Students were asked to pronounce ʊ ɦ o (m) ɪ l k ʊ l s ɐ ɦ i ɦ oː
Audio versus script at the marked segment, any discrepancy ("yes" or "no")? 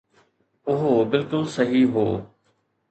yes